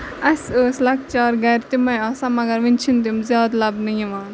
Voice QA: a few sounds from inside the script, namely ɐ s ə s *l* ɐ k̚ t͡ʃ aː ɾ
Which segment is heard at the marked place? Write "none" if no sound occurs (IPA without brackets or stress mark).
l